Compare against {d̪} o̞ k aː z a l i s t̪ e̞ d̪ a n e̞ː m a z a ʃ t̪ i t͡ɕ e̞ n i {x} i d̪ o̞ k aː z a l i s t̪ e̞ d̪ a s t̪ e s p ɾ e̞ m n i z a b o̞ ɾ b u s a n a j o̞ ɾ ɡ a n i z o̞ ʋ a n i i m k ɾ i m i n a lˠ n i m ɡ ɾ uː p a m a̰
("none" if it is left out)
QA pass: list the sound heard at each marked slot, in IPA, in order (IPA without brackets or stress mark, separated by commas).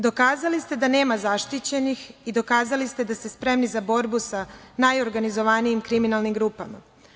d̪, x